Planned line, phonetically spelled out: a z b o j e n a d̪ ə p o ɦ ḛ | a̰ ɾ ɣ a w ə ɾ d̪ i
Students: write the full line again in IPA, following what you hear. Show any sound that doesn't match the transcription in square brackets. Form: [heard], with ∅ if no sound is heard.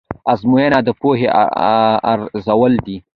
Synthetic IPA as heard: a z [m] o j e n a d̪ ə p o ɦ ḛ | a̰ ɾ [z] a w ə [l] d̪ i